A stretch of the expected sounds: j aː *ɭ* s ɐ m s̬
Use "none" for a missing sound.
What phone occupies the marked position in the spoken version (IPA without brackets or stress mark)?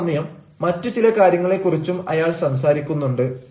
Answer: ɭ